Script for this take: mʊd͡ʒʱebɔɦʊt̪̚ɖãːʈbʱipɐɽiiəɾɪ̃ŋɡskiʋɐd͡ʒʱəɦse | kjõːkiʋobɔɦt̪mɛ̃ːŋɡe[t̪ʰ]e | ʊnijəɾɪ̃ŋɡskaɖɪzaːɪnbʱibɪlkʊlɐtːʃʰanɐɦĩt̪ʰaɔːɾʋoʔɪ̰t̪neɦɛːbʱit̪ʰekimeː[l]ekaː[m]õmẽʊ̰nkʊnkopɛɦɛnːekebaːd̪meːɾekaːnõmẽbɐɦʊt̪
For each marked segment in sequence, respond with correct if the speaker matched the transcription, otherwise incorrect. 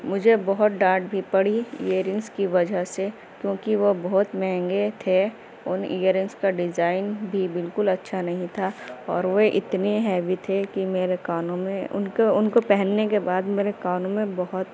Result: correct, incorrect: ɾ, incorrect: n

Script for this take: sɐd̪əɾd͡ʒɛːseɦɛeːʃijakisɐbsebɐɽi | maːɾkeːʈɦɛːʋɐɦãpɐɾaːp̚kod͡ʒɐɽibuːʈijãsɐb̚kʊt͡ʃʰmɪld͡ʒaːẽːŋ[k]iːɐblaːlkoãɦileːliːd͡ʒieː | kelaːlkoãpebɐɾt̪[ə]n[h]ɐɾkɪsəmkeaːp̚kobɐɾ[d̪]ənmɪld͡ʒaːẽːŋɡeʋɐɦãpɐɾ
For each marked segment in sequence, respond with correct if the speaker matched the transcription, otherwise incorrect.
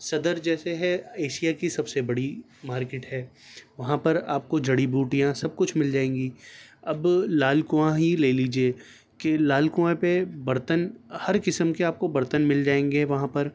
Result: incorrect: ɡ, correct, correct, incorrect: t̪

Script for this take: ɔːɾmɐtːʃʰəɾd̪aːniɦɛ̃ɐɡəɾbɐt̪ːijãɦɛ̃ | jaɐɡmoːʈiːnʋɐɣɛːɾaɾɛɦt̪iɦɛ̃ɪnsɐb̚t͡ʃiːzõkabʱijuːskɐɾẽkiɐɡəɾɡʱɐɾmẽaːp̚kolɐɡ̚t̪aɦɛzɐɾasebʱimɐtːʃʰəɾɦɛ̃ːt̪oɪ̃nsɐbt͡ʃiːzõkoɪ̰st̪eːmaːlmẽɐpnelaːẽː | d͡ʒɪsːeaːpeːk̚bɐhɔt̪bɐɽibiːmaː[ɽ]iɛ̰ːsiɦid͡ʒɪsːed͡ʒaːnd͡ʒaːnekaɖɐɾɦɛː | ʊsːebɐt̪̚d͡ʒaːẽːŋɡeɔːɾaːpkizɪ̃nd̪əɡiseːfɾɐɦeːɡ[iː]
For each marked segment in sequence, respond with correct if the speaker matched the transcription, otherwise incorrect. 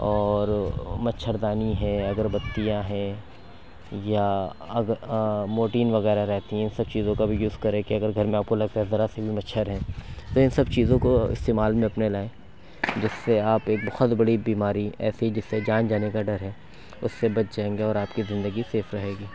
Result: incorrect: ɾ, correct

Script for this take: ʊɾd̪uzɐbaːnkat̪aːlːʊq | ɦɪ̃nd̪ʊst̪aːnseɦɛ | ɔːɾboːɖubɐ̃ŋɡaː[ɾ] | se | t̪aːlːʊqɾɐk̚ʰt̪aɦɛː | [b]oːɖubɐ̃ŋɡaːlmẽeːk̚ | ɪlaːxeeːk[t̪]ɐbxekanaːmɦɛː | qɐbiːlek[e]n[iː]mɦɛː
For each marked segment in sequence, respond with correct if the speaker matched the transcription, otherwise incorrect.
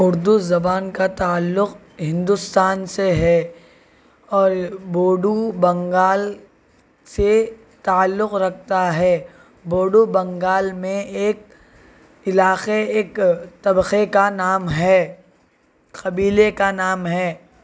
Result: incorrect: l, correct, correct, incorrect: a, incorrect: aː

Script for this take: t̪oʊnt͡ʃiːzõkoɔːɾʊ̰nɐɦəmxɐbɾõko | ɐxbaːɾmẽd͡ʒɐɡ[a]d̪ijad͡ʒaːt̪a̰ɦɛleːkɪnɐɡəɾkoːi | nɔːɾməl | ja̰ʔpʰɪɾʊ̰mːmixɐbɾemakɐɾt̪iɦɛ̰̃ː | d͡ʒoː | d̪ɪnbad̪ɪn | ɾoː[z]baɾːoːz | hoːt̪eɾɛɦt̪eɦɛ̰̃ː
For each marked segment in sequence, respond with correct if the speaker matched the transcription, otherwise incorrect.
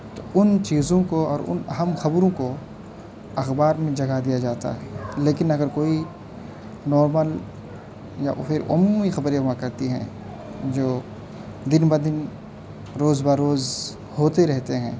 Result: correct, correct

